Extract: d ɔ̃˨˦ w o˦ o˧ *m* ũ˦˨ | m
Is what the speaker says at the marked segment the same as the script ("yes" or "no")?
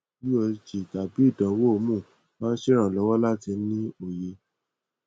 yes